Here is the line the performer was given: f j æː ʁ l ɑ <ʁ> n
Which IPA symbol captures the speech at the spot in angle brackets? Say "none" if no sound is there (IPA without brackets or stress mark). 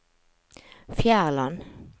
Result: none